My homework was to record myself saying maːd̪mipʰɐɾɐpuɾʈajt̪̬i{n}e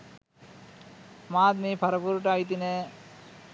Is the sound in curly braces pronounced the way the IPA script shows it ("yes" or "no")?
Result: yes